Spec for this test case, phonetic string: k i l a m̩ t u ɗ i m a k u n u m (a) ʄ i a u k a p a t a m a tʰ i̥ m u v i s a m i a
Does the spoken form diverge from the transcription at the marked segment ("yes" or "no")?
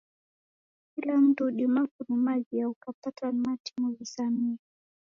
no